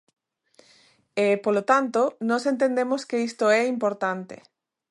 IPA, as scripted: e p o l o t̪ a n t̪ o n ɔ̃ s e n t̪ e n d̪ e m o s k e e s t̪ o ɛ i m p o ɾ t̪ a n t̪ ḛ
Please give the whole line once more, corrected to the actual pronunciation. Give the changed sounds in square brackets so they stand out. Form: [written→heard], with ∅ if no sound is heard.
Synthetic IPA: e p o l o t̪ a n t̪ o n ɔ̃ s e n t̪ e n d̪ e m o s k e [e→i] s t̪ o ɛ i m p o ɾ t̪ a n t̪ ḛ